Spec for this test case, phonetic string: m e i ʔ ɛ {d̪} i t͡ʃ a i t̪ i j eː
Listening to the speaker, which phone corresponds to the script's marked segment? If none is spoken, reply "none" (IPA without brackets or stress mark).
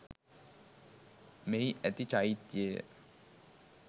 t̪